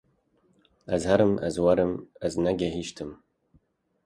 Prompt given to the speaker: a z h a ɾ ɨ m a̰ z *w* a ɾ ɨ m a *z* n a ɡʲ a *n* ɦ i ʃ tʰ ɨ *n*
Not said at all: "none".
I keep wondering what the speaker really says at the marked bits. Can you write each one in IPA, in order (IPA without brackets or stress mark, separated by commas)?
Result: w, z, none, m